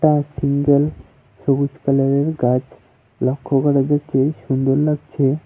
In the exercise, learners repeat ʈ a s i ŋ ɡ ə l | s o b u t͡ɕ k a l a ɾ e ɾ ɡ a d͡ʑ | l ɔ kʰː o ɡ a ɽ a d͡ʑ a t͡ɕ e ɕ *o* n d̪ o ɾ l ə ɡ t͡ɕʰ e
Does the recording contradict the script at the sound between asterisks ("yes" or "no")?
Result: yes